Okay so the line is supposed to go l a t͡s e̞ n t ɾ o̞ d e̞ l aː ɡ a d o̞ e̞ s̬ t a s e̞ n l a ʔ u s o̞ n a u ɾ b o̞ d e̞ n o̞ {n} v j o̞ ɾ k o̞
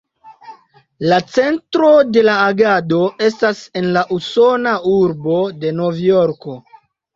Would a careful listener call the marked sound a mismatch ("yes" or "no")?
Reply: yes